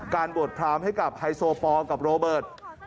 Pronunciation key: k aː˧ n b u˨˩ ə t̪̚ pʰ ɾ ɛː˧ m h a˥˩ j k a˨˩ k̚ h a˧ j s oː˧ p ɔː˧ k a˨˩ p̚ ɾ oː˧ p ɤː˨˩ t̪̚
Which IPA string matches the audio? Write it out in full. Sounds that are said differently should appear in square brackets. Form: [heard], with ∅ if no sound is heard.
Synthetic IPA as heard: k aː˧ n b u˨˩ ə t̪̚ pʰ ɾ [aː˧] m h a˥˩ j k a˨˩ [p̚] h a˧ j s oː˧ p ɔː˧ k a˨˩ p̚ ɾ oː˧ [b] ɤː˨˩ t̪̚